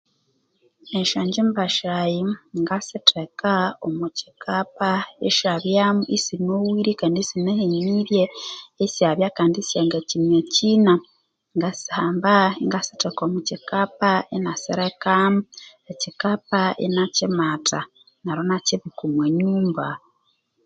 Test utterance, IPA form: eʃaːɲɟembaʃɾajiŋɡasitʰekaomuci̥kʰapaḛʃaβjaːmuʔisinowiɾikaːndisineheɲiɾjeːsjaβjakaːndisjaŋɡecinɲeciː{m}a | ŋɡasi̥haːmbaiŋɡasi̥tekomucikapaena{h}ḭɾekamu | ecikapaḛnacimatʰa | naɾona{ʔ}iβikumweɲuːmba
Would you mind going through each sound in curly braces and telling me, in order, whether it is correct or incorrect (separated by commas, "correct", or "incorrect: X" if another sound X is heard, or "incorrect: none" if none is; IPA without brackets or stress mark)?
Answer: incorrect: n, incorrect: s, incorrect: c